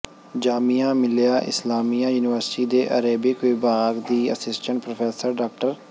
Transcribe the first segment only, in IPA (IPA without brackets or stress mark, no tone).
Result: d͡ʒ